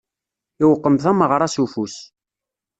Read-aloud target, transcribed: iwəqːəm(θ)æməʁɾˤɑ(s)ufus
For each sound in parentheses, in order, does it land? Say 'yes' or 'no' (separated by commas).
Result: yes, yes